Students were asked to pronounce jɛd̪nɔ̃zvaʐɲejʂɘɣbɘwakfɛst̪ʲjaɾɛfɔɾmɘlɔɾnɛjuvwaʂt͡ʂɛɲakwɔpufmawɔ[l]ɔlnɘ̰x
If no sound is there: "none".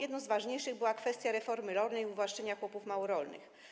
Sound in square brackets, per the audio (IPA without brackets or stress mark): ɾ